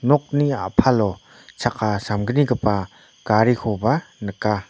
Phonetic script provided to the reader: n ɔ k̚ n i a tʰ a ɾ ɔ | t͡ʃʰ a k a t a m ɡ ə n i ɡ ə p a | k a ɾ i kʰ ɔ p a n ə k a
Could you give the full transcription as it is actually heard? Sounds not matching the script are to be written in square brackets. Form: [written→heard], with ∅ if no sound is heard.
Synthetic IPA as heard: n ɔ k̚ n i a [tʰ→pʰ] a [ɾ→l] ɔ | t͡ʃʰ a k a [t→s] a m ɡ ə n i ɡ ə p a | k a ɾ i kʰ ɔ [p→b] a n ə k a